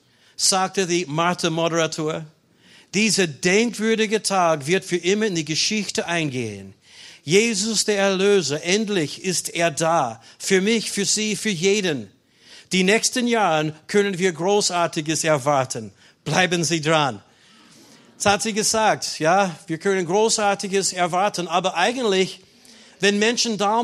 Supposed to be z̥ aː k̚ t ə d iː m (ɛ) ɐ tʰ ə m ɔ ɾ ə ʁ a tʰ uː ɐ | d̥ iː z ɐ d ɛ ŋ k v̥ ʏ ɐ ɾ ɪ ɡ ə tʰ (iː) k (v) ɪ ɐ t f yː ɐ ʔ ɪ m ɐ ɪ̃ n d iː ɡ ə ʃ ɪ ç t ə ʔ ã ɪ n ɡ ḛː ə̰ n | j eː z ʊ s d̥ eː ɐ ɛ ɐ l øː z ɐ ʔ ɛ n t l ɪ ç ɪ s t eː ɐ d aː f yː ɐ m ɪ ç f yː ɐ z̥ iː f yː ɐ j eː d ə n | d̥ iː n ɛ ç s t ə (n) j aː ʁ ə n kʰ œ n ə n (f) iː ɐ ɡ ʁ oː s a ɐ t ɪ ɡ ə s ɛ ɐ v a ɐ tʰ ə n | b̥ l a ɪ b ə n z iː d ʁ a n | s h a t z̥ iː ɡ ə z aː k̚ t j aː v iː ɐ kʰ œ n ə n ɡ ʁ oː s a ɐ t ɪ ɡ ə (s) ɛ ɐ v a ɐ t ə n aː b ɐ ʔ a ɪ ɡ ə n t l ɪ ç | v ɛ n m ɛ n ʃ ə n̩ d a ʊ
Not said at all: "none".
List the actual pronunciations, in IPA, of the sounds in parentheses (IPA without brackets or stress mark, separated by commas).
a, aː, v, n, v, s